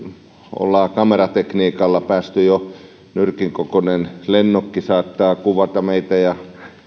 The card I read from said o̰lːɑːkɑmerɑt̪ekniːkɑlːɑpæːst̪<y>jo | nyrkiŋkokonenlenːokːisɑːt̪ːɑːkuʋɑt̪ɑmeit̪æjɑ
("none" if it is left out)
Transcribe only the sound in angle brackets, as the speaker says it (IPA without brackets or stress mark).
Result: y